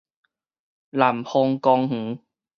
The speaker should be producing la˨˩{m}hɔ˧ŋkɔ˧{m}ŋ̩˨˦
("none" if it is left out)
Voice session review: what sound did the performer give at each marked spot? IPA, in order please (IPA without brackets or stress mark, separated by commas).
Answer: m, ŋ